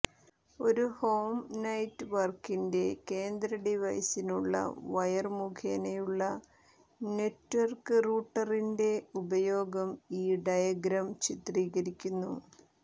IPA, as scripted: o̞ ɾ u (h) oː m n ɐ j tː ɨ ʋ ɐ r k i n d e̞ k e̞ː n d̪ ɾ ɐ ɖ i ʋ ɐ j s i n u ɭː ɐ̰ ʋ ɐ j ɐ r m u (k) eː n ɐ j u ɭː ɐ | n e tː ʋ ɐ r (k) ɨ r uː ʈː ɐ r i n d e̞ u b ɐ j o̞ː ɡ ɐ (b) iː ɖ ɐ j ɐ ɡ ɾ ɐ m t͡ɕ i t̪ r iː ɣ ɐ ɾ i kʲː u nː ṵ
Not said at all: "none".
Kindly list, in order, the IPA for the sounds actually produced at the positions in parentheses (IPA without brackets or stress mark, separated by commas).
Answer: h, kʰ, k, m